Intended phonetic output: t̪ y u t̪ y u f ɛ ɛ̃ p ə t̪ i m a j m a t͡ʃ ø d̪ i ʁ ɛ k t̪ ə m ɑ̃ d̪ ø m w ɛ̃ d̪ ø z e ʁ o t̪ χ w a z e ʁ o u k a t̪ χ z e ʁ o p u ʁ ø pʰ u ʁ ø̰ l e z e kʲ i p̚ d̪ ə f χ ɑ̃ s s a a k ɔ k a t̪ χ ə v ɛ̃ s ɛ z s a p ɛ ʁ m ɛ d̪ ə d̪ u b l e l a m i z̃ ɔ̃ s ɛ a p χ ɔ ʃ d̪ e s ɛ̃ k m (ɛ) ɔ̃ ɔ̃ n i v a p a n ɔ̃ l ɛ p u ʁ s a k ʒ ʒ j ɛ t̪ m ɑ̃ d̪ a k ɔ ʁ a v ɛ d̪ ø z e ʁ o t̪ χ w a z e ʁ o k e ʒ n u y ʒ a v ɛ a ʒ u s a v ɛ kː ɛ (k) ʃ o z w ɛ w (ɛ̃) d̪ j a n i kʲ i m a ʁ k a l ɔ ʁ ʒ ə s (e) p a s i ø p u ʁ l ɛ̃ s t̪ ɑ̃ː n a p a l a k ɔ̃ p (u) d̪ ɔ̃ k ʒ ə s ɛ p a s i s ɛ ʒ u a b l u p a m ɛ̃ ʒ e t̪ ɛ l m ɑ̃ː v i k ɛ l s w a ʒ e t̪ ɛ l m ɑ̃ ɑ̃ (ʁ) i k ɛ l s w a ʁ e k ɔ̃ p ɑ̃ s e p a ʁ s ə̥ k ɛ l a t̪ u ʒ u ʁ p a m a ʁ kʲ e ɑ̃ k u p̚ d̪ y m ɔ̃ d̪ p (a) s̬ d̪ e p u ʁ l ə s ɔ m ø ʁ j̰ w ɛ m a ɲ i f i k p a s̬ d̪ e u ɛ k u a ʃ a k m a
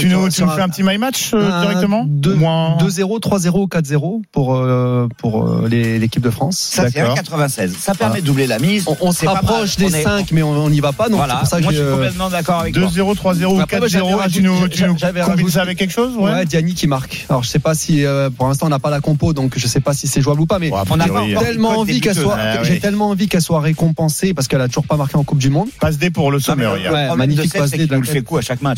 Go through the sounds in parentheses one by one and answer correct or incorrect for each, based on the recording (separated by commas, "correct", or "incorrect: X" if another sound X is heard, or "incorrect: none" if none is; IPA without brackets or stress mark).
correct, correct, incorrect: ɛ, incorrect: ɛ, incorrect: o, incorrect: v, correct